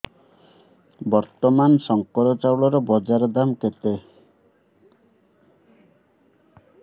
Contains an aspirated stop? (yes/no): no